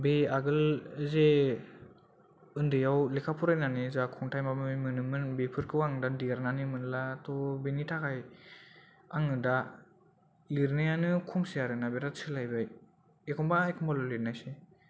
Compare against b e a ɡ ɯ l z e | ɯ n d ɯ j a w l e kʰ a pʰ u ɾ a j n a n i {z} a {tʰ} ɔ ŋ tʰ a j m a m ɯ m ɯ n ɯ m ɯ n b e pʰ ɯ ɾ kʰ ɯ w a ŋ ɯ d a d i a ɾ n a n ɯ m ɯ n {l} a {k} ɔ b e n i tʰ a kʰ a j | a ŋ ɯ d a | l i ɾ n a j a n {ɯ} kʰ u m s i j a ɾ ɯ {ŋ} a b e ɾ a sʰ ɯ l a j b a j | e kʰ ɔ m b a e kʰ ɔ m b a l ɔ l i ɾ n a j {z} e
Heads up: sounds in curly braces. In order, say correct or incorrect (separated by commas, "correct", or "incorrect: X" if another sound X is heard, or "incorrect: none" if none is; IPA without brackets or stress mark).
correct, incorrect: kʰ, correct, incorrect: t, correct, incorrect: n, incorrect: s